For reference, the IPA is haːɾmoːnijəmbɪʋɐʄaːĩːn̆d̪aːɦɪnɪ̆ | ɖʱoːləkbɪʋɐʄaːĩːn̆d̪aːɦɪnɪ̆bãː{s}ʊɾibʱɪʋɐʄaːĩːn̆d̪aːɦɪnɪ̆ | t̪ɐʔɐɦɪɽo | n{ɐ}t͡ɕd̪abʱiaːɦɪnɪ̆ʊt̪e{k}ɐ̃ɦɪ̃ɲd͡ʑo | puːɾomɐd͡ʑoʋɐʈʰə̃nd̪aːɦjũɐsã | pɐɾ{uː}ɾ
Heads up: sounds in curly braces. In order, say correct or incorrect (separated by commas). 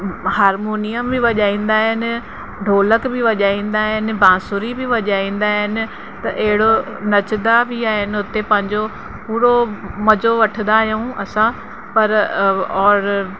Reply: correct, correct, incorrect, incorrect